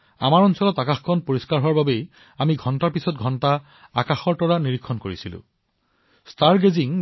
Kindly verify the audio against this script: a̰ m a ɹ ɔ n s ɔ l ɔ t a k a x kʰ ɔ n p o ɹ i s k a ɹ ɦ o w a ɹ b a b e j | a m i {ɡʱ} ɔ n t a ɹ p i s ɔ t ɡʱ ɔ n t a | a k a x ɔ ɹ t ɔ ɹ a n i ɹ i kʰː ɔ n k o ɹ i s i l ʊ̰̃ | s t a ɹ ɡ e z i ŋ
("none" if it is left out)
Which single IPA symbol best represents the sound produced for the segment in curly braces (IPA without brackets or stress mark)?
ɡʱ